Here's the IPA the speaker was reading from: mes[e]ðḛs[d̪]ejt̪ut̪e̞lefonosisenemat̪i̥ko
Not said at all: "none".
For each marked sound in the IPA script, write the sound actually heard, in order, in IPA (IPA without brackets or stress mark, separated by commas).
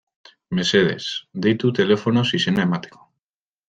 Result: e, d̪